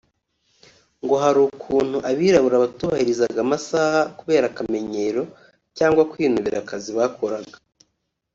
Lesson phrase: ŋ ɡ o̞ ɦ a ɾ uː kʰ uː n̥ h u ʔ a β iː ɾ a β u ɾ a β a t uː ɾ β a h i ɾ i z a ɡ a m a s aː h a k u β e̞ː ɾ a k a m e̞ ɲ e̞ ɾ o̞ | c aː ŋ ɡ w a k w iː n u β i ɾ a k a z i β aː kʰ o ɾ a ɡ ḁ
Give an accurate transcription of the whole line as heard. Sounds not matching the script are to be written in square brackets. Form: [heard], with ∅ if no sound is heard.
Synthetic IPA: ŋ ɡ o̞ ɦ a ɾ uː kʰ uː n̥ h u ʔ a β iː ɾ a β u ɾ a β a t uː [∅] β a h i ɾ i z a ɡ a m a s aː h a k u β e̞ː ɾ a k a m e̞ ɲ e̞ ɾ o̞ | c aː ŋ ɡ w a k w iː n u β i ɾ a k a z i β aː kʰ o ɾ a ɡ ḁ